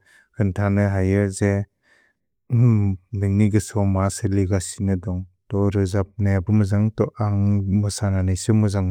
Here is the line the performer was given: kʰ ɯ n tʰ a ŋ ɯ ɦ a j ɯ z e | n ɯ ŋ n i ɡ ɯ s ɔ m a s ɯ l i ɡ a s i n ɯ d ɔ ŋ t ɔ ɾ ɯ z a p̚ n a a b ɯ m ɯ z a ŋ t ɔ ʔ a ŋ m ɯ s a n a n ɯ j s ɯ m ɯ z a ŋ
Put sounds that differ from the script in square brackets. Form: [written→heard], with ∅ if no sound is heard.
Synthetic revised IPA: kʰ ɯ n tʰ a [ŋ→n] ɯ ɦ a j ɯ z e | n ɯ ŋ n i ɡ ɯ s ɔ m a s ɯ l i ɡ a s i n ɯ d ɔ ŋ t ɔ ɾ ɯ z a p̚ n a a b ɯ m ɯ z a ŋ t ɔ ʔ a ŋ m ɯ s a n a n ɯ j s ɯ m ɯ z a ŋ